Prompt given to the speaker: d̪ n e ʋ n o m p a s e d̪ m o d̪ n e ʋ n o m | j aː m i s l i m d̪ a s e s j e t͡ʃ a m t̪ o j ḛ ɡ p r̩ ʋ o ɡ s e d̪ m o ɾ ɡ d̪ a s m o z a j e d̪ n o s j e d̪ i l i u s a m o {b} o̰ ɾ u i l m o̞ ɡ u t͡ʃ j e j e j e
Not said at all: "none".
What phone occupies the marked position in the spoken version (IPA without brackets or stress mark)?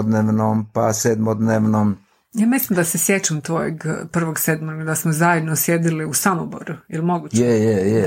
b